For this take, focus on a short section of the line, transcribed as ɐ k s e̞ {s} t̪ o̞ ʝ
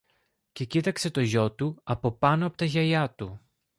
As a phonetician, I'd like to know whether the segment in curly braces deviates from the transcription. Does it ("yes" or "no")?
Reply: yes